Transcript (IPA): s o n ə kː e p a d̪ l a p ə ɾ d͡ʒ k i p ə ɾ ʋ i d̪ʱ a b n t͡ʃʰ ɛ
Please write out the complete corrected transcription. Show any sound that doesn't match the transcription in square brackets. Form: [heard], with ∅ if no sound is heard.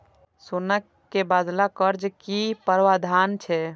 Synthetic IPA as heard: s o n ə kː e [b] a d̪ l a [k] ə ɾ d͡ʒ k i p ə ɾ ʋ [a] d̪ʱ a [∅] n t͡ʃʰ ɛ